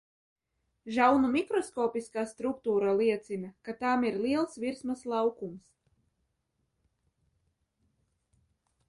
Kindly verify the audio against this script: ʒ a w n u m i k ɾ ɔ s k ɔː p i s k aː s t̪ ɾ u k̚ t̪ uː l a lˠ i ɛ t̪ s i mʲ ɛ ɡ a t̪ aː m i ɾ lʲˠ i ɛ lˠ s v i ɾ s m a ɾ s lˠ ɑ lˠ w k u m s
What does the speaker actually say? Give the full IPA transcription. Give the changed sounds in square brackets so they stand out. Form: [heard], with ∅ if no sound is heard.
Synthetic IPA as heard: ʒ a w n u m i k ɾ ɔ s k ɔː p i s k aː s t̪ ɾ u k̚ t̪ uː [ɾ] a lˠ i ɛ t̪ s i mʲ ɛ [k] a t̪ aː m i ɾ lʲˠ i ɛ lˠ s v i ɾ s m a [∅] s lˠ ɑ [∅] w k u m s